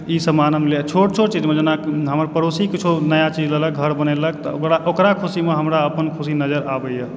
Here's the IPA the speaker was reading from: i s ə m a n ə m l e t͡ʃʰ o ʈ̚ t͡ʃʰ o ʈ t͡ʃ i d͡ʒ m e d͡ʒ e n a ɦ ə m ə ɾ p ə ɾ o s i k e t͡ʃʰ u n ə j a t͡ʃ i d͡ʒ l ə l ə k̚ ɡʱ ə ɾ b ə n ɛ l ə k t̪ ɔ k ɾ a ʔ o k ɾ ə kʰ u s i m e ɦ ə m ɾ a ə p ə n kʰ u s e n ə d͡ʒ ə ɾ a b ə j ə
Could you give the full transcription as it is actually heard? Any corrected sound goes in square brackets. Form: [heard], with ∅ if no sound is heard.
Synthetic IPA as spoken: i s ə m a n ə m l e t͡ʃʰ o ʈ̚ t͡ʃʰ o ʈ t͡ʃ i d͡ʒ m e d͡ʒ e n a ɦ ə m ə ɾ p ə ɾ o s i k [i] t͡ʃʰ u n ə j a t͡ʃ i d͡ʒ l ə l ə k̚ ɡʱ ə ɾ b ə n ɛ l ə k t̪ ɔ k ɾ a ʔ o k ɾ [a] kʰ u s i m e ɦ ə m ɾ a ə p ə n kʰ u s [i] n ə d͡ʒ ə ɾ a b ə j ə